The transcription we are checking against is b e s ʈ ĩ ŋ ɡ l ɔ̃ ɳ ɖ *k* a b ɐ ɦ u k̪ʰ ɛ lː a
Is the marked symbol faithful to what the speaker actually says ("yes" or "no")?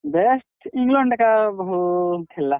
yes